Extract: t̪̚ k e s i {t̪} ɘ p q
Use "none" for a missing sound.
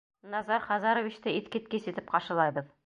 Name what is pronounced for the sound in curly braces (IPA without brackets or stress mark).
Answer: t̪